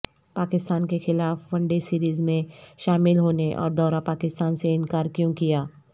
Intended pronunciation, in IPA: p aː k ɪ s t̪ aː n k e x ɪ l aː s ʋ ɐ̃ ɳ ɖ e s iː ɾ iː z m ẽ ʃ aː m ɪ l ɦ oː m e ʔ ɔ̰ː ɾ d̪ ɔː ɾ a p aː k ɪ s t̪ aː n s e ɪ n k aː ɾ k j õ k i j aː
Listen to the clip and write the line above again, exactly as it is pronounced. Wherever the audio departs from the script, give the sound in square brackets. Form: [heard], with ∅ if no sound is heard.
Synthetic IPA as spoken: p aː k ɪ s t̪ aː n k e x ɪ l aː [f] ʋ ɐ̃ ɳ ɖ e s iː ɾ iː z m ẽ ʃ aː m ɪ l ɦ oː [n] e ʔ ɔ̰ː ɾ d̪ ɔː ɾ a p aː k ɪ s t̪ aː n s e ɪ n k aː ɾ k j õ k i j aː